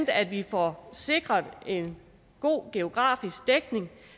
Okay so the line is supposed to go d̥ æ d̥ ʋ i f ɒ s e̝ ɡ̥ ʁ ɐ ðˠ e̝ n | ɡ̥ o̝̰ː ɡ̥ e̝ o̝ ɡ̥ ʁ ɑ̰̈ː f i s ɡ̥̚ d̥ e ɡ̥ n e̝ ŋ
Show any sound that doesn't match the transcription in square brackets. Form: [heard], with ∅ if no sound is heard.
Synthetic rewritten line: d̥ æ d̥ ʋ i f ɒ s e̝ ɡ̥ ʁ ɐ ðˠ e̝ n | ɡ̥ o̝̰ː ɡ̥ e̝ o̝ ɡ̥ ʁ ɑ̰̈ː f i s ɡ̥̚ d̥ e ɡ̥ n e̝ ŋ